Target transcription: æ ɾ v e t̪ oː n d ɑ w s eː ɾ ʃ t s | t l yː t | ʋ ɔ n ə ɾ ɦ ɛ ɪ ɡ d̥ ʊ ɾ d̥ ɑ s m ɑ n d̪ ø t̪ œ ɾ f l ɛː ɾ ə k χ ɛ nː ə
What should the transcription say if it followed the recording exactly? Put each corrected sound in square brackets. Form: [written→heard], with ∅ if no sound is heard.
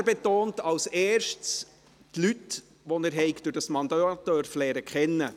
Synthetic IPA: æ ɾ [v→b] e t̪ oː n [d→t] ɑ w s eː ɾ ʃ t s | t l [yː→y] t | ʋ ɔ n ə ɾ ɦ ɛ ɪ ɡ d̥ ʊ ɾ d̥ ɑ s m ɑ n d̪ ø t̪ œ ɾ f l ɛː ɾ ə k χ ɛ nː ə